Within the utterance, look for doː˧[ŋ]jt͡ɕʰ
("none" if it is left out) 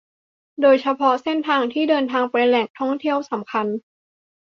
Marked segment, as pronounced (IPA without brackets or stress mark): none